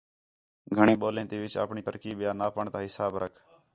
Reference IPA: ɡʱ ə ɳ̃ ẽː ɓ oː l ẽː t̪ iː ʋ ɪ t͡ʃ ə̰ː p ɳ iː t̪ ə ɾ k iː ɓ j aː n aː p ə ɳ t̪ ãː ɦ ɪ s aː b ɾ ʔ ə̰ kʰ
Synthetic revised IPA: ɡʱ ə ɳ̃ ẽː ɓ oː l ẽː t̪ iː ʋ ɪ t͡ʃ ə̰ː p ɳ iː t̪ ə ɾ k iː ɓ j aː n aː p ə ɳ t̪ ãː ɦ ɪ s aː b ɾ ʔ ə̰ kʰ